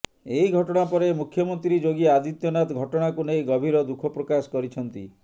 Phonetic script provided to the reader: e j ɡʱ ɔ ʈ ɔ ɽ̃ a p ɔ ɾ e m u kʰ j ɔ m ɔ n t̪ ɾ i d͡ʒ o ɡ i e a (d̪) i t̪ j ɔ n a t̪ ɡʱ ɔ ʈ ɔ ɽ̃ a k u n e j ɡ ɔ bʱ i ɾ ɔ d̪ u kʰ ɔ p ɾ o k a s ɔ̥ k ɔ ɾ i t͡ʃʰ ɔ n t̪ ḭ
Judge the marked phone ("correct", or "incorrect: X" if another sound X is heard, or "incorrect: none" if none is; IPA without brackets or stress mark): correct